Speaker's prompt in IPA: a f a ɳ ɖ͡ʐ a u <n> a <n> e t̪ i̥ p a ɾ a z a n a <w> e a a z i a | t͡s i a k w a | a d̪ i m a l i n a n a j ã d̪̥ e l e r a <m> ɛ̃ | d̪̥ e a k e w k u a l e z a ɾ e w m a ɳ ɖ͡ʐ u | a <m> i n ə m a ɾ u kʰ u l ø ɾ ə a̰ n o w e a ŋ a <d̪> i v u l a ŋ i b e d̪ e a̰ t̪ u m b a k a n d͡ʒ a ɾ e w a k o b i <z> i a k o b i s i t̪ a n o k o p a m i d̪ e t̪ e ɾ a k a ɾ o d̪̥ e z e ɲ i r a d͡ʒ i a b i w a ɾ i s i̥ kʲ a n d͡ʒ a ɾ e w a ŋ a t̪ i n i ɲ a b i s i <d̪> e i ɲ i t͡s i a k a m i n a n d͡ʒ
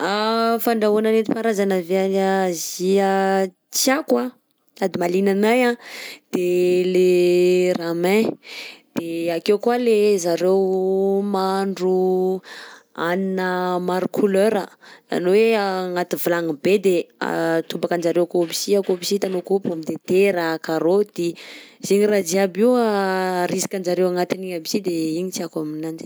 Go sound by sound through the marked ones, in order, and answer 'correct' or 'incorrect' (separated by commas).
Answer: correct, correct, incorrect, correct, incorrect, incorrect, incorrect, correct